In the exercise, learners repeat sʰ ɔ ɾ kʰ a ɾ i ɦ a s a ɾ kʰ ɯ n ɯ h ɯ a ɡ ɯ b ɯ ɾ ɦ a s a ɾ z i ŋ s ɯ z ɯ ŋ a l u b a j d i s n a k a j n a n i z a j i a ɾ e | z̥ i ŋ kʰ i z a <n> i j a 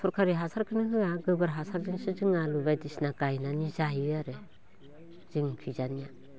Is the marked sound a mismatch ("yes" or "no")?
no